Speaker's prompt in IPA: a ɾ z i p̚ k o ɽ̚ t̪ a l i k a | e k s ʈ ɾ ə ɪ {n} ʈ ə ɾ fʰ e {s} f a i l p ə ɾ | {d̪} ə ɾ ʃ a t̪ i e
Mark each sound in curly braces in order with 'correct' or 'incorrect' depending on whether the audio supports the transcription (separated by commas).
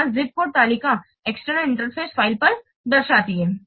incorrect, correct, correct